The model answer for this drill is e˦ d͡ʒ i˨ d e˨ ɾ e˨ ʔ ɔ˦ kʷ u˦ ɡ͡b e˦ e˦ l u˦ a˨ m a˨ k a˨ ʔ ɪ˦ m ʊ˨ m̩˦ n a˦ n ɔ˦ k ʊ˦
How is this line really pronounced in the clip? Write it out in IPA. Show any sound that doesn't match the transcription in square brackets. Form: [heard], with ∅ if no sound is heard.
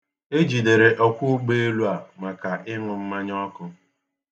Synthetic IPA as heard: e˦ d͡ʒ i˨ d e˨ ɾ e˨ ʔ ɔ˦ kʷ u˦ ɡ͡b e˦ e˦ l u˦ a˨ m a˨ k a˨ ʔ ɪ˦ [ŋ] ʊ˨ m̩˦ [m] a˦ [ɲ] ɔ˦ k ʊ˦